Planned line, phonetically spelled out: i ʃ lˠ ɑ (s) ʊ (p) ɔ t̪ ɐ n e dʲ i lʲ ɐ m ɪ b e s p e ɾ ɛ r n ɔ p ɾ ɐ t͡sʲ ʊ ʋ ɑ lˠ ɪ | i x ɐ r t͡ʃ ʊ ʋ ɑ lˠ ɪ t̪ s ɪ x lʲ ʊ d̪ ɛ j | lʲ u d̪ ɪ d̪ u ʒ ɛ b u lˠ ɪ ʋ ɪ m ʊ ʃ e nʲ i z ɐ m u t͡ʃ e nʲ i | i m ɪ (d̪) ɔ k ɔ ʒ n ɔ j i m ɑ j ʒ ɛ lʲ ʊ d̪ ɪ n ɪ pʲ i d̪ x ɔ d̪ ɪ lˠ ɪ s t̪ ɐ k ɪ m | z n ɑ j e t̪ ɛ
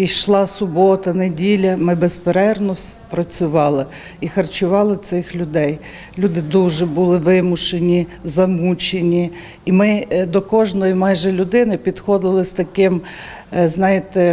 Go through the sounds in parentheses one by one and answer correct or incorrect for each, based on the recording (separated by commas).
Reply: correct, incorrect, correct